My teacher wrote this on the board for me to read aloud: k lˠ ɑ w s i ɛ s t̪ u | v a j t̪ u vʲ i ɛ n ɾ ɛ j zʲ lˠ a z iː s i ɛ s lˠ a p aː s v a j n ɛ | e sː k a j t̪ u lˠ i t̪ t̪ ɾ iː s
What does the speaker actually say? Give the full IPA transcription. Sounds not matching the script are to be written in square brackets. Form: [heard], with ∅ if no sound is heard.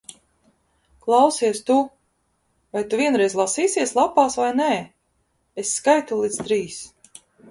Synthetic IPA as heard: k lˠ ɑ w s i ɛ s t̪ u | v a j t̪ u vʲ i ɛ n ɾ ɛ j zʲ lˠ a [s] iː s i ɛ s lˠ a p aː s v a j n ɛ | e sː k a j t̪ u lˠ i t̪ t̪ ɾ iː s

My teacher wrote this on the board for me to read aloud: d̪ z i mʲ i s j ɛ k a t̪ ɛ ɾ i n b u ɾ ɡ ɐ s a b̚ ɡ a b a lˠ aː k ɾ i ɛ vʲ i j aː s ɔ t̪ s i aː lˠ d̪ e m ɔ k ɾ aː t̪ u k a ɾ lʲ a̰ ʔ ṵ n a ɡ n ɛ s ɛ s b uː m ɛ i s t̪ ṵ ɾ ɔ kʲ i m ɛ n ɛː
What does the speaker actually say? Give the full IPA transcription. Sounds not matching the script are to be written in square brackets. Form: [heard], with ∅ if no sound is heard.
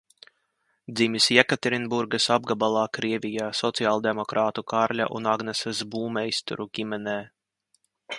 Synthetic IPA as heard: d̪ z i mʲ i s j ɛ k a t̪ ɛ ɾ i n b u ɾ ɡ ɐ s a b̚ ɡ a b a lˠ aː k ɾ i ɛ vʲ i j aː s ɔ t̪ s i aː lˠ d̪ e m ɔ k ɾ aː t̪ u k a ɾ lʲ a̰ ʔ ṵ n a ɡ n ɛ s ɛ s b uː m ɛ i s t̪ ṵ ɾ [u] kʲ i m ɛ n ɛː

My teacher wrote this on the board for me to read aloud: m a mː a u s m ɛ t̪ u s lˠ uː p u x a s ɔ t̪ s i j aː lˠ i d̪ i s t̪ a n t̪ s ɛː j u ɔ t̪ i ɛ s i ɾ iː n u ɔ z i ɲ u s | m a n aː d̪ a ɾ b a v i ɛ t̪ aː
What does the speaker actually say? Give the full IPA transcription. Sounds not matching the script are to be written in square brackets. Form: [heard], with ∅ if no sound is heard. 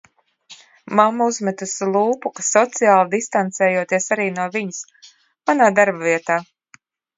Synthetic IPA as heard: m a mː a u [z] m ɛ t̪ u s lˠ uː p u [k] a s ɔ t̪ s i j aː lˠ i d̪ i s t̪ a n t̪ s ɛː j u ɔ t̪ i ɛ s [a] ɾ iː n u ɔ [v] i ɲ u s | m a n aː d̪ a ɾ b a v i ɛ t̪ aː

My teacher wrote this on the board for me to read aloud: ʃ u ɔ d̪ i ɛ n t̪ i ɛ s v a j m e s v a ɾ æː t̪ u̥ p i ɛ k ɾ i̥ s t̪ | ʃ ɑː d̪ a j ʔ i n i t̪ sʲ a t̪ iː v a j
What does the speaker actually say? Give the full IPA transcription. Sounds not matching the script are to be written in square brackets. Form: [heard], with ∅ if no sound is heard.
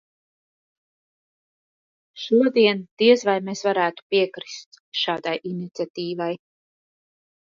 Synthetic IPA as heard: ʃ u ɔ d̪ i ɛ n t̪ i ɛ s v a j m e s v a ɾ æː t̪ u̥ p i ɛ k ɾ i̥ s t̪ | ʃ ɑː d̪ a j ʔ i n i t̪ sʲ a t̪ iː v a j

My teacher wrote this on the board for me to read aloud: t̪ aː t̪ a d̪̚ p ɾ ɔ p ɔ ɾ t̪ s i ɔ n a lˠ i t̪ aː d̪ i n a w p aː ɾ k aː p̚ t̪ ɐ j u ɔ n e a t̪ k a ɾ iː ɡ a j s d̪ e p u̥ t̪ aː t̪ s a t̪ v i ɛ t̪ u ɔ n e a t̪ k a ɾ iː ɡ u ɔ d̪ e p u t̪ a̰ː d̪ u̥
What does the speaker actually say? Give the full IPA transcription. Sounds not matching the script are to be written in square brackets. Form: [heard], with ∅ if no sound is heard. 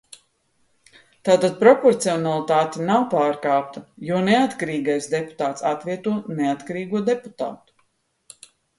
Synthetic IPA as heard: t̪ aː t̪ a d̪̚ p ɾ ɔ p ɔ ɾ t̪ s i ɔ n a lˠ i t̪ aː [t̪] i n a w p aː ɾ k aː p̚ t̪ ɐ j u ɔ n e a t̪ k a ɾ iː ɡ a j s d̪ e p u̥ t̪ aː t̪ s a t̪ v i ɛ t̪ u ɔ n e a t̪ k a ɾ iː ɡ u ɔ d̪ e p u t̪ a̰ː [t̪] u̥

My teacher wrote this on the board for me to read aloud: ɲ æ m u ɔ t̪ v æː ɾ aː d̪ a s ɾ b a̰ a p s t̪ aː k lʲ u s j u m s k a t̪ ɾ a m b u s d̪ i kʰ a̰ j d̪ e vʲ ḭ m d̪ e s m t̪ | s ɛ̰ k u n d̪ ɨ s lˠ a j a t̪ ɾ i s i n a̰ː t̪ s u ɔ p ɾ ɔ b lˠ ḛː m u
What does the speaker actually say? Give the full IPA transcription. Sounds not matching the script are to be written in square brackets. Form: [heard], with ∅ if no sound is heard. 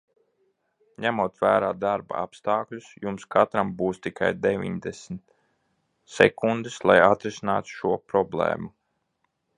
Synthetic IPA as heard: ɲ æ m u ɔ t̪ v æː ɾ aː d̪ a [∅] ɾ b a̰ a p s t̪ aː k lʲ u s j u m s k a t̪ ɾ a m b [uː] s [t̪] i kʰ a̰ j d̪ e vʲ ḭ [ɲ] d̪ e s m t̪ | s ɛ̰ k u n d̪ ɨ s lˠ a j a t̪ ɾ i s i n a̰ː t̪ [ʃ] u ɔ p ɾ ɔ b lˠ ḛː m u

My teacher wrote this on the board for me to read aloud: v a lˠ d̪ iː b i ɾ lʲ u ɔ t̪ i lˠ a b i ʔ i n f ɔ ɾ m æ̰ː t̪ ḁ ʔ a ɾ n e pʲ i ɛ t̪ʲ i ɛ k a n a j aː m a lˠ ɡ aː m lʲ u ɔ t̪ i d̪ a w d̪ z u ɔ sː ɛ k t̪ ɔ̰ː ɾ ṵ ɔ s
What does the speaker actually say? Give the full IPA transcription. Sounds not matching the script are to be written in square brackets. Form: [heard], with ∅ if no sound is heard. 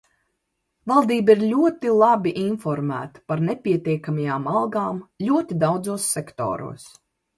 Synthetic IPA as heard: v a lˠ d̪ iː b i ɾ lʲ u ɔ t̪ i lˠ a b i ʔ i n f ɔ ɾ m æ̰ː t̪ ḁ [p] a ɾ n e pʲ i ɛ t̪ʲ i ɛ k a [m] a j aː m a lˠ ɡ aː m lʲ u ɔ t̪ i d̪ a w d̪ z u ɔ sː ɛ k t̪ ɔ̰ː ɾ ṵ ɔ s

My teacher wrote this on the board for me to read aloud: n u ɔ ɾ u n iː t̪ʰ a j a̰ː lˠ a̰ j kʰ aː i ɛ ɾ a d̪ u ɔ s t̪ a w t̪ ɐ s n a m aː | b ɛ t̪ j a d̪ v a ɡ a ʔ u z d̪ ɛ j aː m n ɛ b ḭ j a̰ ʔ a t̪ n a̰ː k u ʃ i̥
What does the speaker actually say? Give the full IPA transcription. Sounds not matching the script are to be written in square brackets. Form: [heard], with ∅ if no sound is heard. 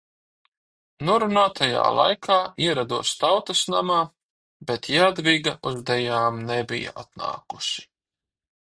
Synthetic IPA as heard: n u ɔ ɾ u n [aː] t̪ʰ a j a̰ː lˠ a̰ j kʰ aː i ɛ ɾ a d̪ u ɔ s t̪ a w t̪ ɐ s n a m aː | b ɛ t̪ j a d̪ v [i] ɡ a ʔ u z d̪ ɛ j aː m n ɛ b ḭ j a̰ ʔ a t̪ n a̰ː k u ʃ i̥

